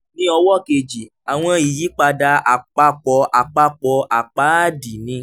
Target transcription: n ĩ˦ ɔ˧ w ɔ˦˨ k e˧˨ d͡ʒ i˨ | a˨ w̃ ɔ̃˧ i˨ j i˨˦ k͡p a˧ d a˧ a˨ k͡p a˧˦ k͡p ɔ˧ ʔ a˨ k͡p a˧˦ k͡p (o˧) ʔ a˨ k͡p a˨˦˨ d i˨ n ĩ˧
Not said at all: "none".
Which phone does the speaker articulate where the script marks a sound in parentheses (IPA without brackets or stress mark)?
ɔ˧